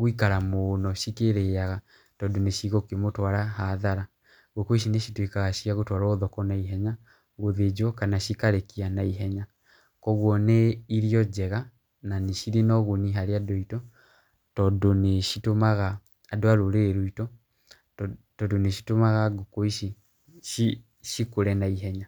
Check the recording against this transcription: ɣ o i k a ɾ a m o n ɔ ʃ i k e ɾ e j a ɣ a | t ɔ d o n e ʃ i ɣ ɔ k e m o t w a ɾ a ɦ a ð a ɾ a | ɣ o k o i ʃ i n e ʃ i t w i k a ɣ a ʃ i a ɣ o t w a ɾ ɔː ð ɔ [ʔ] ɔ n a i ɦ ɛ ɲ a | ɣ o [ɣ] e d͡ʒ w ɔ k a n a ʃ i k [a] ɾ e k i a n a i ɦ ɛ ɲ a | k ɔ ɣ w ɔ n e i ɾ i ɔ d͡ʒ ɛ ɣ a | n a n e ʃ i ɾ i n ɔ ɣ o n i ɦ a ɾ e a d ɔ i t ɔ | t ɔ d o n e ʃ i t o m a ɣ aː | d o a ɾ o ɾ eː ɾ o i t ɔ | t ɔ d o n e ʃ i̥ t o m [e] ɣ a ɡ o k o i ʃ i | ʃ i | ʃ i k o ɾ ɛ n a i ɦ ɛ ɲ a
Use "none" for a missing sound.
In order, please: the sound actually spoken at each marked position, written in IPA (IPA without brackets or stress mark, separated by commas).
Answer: k, ð, a, a